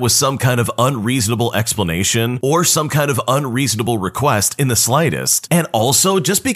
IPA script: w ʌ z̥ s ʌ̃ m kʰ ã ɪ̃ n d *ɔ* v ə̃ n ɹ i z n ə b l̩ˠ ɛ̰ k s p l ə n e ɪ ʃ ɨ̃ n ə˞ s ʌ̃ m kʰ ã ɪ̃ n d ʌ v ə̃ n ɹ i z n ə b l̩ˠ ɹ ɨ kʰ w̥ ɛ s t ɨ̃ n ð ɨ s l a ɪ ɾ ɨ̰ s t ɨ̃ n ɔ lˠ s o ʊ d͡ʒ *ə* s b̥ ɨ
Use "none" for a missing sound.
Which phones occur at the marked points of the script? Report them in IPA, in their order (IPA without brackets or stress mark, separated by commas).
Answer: ʌ, ʌ